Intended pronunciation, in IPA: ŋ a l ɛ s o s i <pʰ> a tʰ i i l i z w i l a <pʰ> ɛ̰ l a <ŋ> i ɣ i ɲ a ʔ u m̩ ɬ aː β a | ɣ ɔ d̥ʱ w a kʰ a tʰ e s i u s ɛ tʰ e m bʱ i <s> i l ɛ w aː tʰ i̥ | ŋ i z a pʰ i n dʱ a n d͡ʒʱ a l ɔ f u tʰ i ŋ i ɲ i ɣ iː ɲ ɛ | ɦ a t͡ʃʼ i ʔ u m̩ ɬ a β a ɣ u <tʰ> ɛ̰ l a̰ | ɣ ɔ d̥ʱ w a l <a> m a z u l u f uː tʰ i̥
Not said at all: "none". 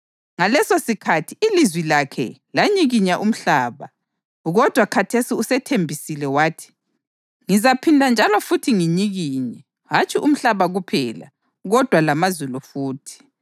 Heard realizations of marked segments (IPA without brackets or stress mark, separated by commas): kʰ, kʰ, ɲ, s, pʰ, a